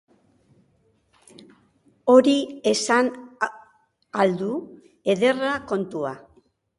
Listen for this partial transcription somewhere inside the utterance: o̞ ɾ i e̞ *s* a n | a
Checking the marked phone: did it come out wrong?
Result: no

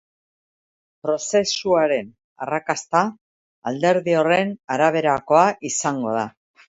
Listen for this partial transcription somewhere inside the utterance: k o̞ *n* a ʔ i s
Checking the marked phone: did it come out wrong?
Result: yes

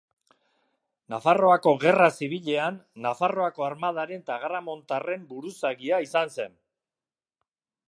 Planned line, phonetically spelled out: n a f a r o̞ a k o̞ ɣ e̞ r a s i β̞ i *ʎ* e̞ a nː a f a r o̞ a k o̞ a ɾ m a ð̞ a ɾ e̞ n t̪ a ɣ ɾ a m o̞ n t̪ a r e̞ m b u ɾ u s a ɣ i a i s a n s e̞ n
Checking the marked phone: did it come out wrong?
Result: no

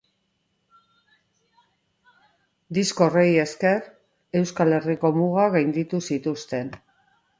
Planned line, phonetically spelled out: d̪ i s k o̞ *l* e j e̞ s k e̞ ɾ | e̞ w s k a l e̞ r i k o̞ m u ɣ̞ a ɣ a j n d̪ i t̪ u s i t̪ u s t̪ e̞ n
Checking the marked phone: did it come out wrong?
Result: yes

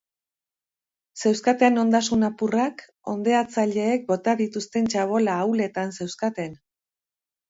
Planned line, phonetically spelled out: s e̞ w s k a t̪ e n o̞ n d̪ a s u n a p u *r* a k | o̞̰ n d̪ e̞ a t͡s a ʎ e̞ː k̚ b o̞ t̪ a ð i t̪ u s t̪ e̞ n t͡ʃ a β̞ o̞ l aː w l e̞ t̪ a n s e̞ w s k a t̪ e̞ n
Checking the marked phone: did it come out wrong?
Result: no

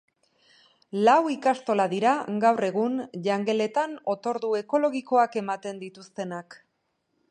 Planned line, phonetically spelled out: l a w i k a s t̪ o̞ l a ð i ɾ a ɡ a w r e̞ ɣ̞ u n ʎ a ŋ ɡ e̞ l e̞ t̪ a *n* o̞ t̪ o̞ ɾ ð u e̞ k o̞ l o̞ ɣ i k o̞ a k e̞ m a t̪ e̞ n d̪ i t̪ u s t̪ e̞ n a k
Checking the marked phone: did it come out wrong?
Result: no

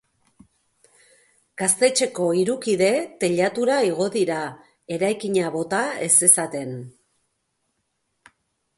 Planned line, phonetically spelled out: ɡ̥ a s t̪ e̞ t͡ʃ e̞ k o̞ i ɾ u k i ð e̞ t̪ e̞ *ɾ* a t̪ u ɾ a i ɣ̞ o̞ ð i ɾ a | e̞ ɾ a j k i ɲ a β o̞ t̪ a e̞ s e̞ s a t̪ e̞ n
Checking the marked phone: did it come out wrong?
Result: yes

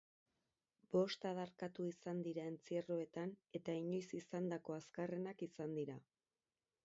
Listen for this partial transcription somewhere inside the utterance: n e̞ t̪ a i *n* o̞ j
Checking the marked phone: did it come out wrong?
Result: yes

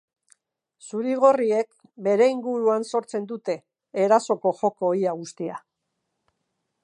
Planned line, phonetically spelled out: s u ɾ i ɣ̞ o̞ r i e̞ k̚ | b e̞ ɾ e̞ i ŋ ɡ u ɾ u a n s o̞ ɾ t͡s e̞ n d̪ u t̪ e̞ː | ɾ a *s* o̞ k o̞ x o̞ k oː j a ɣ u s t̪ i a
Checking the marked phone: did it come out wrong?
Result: no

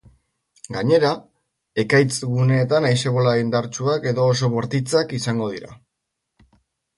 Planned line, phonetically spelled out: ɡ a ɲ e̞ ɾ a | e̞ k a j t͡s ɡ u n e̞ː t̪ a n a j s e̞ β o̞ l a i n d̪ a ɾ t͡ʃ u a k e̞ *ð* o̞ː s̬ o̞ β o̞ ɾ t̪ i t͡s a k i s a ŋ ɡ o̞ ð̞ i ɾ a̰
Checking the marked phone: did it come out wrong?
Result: no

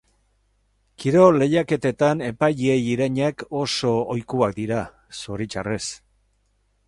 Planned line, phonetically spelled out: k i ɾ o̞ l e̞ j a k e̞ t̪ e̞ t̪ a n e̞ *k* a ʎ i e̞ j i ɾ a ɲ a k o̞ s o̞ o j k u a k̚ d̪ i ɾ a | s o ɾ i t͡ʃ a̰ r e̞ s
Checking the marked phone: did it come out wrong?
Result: yes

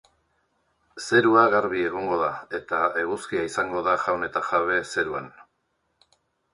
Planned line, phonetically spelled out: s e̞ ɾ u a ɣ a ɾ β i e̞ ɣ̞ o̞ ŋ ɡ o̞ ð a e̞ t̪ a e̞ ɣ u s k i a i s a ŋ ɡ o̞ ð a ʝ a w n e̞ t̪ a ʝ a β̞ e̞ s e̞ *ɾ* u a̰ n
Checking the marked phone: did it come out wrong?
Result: no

